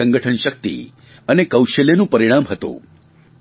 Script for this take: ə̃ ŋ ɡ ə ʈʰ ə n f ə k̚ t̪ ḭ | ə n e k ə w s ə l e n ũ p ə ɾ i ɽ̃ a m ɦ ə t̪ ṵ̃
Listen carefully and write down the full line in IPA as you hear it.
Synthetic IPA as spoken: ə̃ ŋ ɡ ə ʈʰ ə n ʃ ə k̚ t̪ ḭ | ə n e k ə w ʃ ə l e n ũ p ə ɾ i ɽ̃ a m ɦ ə t̪ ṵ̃